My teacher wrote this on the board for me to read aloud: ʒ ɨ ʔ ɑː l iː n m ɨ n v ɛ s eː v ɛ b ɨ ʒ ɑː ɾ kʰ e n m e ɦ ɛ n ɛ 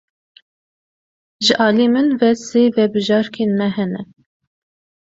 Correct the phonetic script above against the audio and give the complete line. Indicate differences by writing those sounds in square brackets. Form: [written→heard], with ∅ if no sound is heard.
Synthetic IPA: ʒ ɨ ʔ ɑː l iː [n→∅] m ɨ n v ɛ s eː v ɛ b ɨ ʒ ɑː ɾ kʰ e n m [e→ɛ] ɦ ɛ n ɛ